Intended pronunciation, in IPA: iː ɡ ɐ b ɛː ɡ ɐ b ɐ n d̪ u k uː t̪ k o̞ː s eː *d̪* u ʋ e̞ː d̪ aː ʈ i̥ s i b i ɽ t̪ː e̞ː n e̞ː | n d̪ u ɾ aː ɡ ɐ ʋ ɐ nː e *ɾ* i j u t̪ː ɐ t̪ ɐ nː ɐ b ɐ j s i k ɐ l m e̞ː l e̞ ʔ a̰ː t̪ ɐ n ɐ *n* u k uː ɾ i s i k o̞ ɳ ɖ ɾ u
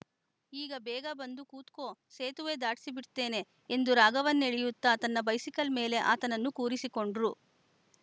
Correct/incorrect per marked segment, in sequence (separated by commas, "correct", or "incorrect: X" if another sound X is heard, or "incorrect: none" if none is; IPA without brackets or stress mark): incorrect: t̪, incorrect: ɭ, incorrect: nː